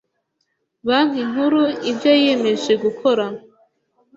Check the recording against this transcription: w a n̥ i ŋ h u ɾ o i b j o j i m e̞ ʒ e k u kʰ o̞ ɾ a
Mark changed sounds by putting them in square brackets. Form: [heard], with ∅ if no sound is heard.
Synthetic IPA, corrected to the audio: [β] a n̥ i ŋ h u ɾ [u] i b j o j [e] m e̞ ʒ e [ɡ] u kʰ o̞ ɾ a